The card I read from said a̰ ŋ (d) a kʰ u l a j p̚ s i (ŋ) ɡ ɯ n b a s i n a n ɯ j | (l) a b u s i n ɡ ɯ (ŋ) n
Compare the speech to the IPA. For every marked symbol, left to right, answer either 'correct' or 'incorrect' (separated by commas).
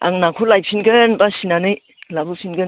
incorrect, incorrect, correct, incorrect